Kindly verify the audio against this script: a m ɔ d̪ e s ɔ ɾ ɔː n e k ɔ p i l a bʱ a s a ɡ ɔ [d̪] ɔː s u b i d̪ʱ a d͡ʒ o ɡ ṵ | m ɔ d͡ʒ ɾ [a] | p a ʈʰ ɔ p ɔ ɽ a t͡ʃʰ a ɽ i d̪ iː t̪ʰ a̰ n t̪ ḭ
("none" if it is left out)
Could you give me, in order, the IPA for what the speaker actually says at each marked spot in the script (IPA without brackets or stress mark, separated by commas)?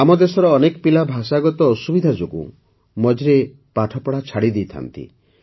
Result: t̪, e